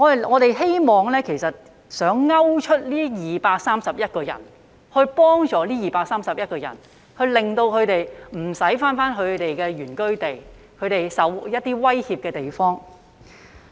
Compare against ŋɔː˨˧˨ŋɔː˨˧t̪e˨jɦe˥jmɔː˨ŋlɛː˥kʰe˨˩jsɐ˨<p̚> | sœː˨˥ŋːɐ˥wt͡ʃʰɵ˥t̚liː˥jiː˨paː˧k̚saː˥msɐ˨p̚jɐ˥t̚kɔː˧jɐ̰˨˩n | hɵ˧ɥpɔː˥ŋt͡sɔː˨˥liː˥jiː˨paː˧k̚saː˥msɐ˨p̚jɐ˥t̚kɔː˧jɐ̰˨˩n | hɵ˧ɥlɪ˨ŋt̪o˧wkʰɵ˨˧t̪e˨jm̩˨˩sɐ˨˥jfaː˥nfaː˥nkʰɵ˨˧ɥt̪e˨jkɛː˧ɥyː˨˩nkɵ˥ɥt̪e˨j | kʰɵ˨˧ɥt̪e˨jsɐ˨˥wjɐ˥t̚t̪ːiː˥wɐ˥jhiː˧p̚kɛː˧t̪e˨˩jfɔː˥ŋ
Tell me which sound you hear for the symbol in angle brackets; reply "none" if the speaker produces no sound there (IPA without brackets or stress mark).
t̚